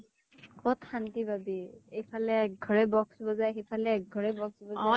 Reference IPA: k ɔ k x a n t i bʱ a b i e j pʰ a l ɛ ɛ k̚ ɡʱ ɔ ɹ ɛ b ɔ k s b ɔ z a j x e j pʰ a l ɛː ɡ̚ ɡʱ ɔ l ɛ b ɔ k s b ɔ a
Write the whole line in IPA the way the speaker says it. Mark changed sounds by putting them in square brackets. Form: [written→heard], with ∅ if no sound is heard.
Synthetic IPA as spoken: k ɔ [k→t] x a n t i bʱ a b i e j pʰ a l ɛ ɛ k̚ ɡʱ ɔ ɹ ɛ b ɔ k s b ɔ z a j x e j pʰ a l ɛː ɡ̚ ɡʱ ɔ [l→ɹ] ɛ b ɔ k s b ɔ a